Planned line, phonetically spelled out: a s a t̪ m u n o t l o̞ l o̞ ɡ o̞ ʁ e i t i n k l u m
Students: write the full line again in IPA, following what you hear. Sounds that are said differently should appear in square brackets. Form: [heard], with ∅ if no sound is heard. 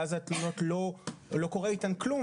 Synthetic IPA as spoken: a [z] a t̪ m u n o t l o̞ l o̞ [k] o̞ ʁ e i t [a] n k l u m